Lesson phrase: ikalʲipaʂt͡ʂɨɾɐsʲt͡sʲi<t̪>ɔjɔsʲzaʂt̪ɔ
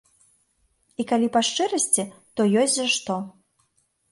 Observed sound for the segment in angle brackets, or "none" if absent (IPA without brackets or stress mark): t̪